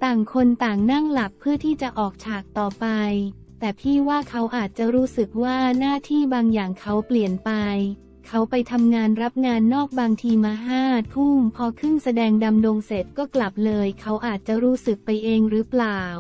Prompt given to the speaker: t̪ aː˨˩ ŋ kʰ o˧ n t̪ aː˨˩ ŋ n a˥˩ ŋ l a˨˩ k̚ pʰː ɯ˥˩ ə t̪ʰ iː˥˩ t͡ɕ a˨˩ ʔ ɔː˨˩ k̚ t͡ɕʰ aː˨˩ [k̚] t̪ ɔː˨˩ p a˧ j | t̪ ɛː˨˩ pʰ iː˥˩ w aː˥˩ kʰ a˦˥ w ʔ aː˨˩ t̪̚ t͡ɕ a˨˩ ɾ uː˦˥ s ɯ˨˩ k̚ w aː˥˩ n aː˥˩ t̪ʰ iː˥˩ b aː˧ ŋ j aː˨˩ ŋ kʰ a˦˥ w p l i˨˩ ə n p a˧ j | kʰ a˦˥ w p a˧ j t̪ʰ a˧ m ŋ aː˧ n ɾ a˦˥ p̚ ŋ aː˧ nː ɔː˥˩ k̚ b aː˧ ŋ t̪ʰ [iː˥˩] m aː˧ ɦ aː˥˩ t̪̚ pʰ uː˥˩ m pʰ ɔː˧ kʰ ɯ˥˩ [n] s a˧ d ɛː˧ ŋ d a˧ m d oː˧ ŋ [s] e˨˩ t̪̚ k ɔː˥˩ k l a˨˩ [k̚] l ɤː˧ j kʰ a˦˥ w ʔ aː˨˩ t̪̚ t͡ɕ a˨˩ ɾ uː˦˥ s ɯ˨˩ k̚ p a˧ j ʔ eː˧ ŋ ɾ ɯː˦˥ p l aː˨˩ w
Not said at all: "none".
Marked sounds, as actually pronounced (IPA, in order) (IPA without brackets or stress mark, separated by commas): k̚, iː˧, ŋ, s, p̚